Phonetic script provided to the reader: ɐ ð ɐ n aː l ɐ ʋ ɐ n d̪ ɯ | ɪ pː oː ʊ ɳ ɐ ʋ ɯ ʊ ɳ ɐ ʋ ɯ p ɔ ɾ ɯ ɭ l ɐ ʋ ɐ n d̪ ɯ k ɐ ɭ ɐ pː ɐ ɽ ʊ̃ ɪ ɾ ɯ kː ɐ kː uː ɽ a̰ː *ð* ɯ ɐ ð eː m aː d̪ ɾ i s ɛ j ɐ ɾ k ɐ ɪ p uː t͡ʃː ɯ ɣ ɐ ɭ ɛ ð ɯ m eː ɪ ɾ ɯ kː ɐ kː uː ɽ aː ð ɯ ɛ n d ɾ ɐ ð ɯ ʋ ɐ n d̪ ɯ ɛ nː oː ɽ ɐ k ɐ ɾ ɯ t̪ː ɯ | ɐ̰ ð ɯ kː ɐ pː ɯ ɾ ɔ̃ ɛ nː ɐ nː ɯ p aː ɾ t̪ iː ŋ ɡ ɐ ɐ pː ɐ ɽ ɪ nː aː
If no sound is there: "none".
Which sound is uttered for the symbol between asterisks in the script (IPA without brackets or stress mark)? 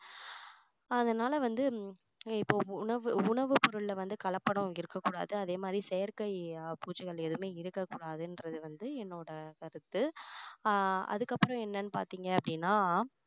ð